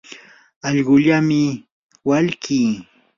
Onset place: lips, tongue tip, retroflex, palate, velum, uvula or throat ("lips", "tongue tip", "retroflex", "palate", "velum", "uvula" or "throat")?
palate